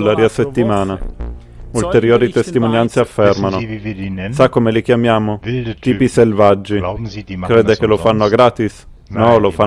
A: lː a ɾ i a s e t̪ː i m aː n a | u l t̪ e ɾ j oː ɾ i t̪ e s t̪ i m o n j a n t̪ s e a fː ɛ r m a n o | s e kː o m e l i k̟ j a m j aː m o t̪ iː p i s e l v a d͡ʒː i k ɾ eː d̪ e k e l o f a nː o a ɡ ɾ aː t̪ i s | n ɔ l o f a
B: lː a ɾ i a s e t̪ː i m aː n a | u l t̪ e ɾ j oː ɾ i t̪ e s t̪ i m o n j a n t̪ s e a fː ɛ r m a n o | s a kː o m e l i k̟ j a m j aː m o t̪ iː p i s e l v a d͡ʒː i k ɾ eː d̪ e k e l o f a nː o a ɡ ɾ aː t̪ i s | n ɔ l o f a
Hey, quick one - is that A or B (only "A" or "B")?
B